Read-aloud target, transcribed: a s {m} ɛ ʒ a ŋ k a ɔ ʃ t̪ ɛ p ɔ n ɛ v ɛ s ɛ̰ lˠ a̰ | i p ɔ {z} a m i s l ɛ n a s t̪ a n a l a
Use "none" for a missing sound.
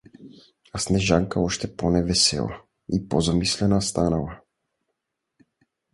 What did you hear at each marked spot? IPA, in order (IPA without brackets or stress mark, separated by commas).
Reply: n, z